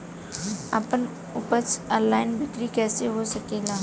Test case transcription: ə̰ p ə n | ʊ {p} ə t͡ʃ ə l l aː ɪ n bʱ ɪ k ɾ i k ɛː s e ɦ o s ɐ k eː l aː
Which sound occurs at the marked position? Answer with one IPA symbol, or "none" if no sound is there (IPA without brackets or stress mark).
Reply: p